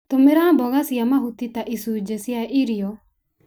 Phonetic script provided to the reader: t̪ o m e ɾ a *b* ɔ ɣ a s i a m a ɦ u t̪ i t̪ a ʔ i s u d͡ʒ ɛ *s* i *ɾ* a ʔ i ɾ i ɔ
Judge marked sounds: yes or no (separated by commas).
yes, yes, no